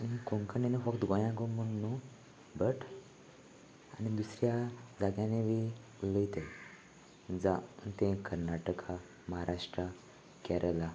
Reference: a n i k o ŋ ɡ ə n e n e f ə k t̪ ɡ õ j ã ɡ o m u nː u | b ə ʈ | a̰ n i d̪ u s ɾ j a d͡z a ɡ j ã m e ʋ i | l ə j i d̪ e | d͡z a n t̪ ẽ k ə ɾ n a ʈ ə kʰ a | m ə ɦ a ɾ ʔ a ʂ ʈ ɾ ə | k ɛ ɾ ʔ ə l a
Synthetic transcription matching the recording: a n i k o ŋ k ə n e n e f ə k t̪ ɡ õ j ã ɡ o m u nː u | b ə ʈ | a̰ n i d̪ u s ɾ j a d͡z a ɡ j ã n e ʋ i | l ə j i t̪ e | d͡z a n t̪ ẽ k ə ɾ n a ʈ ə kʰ a | m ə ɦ a ɾ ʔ a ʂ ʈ ɾ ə | k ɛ ɾ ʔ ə l a